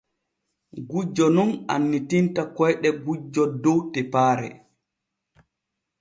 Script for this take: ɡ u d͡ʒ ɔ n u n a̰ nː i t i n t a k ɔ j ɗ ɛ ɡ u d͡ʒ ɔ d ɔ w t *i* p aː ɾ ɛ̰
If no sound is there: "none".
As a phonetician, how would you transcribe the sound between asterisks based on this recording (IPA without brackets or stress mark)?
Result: ɛ